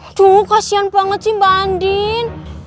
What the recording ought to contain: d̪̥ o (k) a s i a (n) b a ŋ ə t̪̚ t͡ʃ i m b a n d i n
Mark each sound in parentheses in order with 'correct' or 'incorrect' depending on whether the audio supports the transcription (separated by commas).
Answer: correct, correct